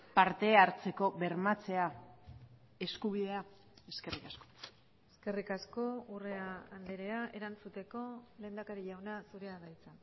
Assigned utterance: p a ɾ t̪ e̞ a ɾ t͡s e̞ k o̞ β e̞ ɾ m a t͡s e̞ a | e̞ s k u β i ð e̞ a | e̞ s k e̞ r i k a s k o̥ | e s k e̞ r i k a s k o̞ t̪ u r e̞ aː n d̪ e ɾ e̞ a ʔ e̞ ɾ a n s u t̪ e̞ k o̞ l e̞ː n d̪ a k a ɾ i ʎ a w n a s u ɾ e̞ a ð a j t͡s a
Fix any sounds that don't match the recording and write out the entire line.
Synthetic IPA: p a ɾ t̪ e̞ a ɾ t͡s e̞ k o̞ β e̞ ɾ m a t͡s e̞ a | e̞ s k u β i ð e̞ a | e̞ s k e̞ r i k a s k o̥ | e s k e̞ r i k a s k o̞ u r e̞ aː n d̪ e ɾ e̞ a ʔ e̞ ɾ a n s u t̪ e̞ k o̞ l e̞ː n d̪ a k a ɾ i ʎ a w n a s u ɾ e̞ a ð a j t͡s a

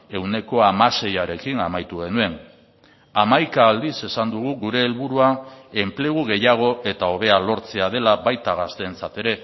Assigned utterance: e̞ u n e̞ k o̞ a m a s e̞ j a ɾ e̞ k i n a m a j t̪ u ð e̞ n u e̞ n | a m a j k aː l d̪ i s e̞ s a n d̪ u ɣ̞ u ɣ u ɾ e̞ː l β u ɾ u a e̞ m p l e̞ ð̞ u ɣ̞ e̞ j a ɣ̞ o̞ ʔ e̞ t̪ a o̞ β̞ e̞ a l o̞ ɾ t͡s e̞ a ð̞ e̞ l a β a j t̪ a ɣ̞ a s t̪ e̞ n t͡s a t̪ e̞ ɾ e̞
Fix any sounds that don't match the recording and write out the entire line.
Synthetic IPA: e̞ w n e̞ k o̞ a m a s e̞ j a ɾ e̞ k i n a m a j t̪ u ɣ e̞ n u e̞ n | a m a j k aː l d̪ i s e̞ s a n d̪ u ɣ̞ u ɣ u ɾ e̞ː l β u ɾ u a e̞ m p l e̞ ɣ̞ u ɣ̞ e̞ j a ɣ̞ o̞ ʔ e̞ t̪ a o̞ β̞ e̞ a l o̞ ɾ t͡s e̞ a ð̞ e̞ l a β a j t̪ a ɣ̞ a s t̪ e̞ n t͡s a t̪ e̞ ɾ e̞

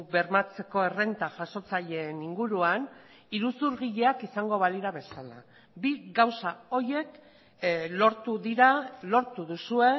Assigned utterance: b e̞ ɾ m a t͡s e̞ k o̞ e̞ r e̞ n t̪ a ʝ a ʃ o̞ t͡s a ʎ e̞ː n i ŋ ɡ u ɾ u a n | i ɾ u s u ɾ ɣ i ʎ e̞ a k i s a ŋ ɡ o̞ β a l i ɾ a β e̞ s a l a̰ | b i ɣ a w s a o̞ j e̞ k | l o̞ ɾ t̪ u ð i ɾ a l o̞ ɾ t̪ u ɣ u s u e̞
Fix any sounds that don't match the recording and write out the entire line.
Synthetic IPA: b e̞ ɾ m a t͡s e̞ k o̞ e̞ r e̞ n t̪ a ʝ a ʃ o̞ t͡s a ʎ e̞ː n i ŋ ɡ u ɾ u a n | i ɾ u s u ɾ ɣ i ʎ e̞ a k i s a ŋ ɡ o̞ β a l i ɾ a β e̞ s a l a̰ | b i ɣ a w s a o̞ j e̞ k | l o̞ ɾ t̪ u ð i ɾ a l o̞ ɾ t̪ u ð u s u e̞

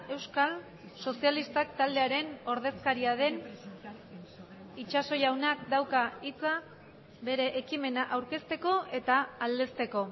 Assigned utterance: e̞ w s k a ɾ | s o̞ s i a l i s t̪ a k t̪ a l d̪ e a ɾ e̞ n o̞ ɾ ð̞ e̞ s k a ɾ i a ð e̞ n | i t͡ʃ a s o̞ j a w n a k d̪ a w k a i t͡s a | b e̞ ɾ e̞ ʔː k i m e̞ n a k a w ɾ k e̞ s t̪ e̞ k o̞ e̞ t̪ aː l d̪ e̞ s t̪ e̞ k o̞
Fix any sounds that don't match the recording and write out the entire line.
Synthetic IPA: e̞ w s k a l | s o̞ s i a l i s t̪ a k t̪ a l d̪ e a ɾ e̞ n o̞ ɾ ð̞ e̞ s k a ɾ i a ð e̞ n | i t͡ʃ a s o̞ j a w n a k d̪ a w k a i t͡s a | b e̞ ɾ e̞ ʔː k i m e̞ n a ʔ a w ɾ k e̞ s t̪ e̞ k o̞ e̞ t̪ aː l d̪ e̞ s t̪ e̞ k o̞

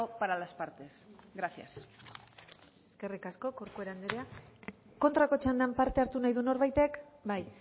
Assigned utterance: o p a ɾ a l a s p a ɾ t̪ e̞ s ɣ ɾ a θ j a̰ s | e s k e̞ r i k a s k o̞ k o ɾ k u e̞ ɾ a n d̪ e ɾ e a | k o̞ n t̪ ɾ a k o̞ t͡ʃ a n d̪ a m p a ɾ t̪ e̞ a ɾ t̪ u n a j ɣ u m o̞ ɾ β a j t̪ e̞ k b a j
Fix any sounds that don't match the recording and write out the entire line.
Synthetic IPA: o p a ɾ a l a s p a ɾ t̪ e̞ s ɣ ɾ a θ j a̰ s | e s k e̞ r i k a s k o̞ k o ɾ k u e̞ ɾ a n d̪ e ɾ e a | k o̞ n t̪ ɾ a k o̞ t͡ʃ a n d̪ a m p a ɾ t̪ e̞ a ɾ t̪ u n a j ð u n o̞ ɾ β a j t̪ e̞ k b a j

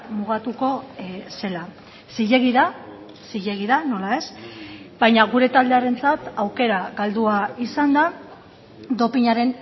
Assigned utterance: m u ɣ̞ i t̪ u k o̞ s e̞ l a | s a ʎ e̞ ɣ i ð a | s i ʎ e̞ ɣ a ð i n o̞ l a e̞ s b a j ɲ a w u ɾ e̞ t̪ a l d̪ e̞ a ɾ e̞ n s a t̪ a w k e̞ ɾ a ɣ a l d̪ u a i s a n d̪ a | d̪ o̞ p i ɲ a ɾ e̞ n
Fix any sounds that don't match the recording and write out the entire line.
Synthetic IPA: m u ɣ̞ a t̪ u k o̞ s e̞ l a | s i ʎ e̞ ɣ i ð a | s i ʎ e̞ ɣ i ð a n o̞ l a e̞ s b a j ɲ a ɣ u ɾ e̞ t̪ a l d̪ e̞ a ɾ e̞ n t͡s a t̪ a w k e̞ ɾ a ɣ a l d̪ u a i s a n d̪ a | d̪ o̞ p i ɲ a ɾ e̞ n

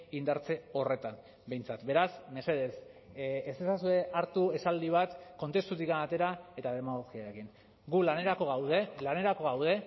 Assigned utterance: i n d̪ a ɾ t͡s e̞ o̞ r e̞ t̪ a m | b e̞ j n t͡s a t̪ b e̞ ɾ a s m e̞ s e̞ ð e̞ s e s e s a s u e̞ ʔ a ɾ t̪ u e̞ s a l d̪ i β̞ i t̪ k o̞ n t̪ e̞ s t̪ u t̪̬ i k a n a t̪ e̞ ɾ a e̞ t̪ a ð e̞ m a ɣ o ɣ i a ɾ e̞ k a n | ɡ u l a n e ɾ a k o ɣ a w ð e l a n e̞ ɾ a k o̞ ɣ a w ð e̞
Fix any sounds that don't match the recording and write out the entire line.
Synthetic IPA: i n d̪ a ɾ t͡s e̞ o̞ r e̞ t̪ a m | b e̞ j n t͡s a t̪ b e̞ ɾ a s m e̞ s e̞ ð e̞ s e s e s a s u e̞ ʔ a ɾ t̪ u e̞ s a l d̪ i β̞ a t̪ k o̞ n t̪ e̞ s t̪ u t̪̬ i k a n a t̪ e̞ ɾ a e̞ t̪ a ð e̞ m a ɣ o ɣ i a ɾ e̞ k i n | ɡ u l a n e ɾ a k o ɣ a w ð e l a n e̞ ɾ a k o̞ ɣ a w ð e̞

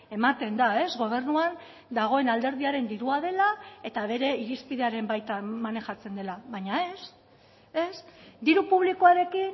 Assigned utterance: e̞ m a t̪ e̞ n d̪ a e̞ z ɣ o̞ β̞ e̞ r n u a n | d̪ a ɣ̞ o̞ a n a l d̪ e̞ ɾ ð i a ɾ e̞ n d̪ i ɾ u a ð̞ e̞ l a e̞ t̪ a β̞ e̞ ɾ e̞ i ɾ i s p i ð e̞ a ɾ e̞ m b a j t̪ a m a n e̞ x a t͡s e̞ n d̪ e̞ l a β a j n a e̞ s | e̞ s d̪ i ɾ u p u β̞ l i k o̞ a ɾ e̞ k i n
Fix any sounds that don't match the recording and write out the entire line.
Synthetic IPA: e̞ m a t̪ e̞ n d̪ a e̞ z ɣ o̞ β̞ e̞ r n u a n | d̪ a ɣ̞ o̞ e n a l d̪ e̞ ɾ ð i a ɾ e̞ n d̪ i ɾ u a ð̞ e̞ l a e̞ t̪ a β̞ e̞ ɾ e̞ i ɾ i s p i ð e̞ a ɾ e̞ m b a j t̪ a m a n e̞ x a t͡s e̞ n d̪ e̞ l a β a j ɲ a e̞ s | e̞ s d̪ i ɾ u p u β̞ l i k o̞ a ɾ e̞ k i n

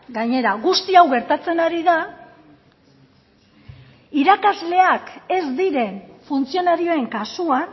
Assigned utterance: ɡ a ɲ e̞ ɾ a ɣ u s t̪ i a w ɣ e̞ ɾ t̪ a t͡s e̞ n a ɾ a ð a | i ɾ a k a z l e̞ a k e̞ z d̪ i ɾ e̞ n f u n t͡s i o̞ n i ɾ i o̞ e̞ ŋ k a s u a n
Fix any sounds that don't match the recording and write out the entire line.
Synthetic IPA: ɡ a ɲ e̞ ɾ a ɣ u s t̪ i a w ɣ e̞ ɾ t̪ a t͡s e̞ n a ɾ i ð a | i ɾ a k a z l e̞ a k e̞ z d̪ i ɾ e̞ n f u n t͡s i o̞ n a ɾ i o̞ e̞ ŋ k a s u a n

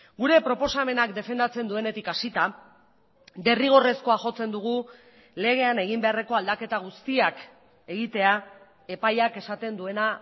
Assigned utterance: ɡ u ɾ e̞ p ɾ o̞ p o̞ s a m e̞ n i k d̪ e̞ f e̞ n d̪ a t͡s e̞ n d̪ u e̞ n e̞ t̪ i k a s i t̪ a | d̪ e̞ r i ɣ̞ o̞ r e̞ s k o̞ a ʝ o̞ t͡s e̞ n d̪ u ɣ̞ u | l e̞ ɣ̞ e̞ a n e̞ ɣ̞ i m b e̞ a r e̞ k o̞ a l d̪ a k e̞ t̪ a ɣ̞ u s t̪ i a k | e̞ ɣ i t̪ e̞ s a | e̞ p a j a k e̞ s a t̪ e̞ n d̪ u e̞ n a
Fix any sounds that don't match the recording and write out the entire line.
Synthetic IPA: ɡ u ɾ e̞ p ɾ o̞ p o̞ s a m e̞ n a k d̪ e̞ f e̞ n d̪ a t͡s e̞ n d̪ u e̞ n e̞ t̪ i k a s i t̪ a | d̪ e̞ r i ɣ̞ o̞ r e̞ s k o̞ a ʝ o̞ t͡s e̞ n d̪ u ɣ̞ u | l e̞ ɣ̞ e̞ a n e̞ ɣ̞ i m b e̞ a r e̞ k o̞ a l d̪ a k e̞ t̪ a ɣ̞ u s t̪ i a k | e̞ ɣ i t̪ e̞ a | e̞ p a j a k e̞ s a t̪ e̞ n d̪ u e̞ n a

